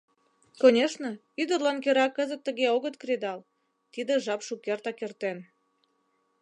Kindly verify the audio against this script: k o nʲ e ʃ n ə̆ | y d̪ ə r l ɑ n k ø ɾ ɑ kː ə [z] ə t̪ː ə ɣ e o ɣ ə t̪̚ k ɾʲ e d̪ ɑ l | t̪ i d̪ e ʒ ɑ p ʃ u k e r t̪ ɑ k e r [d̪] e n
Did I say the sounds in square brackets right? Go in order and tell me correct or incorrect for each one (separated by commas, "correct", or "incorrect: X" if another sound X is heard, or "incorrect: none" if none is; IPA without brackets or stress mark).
correct, incorrect: t̪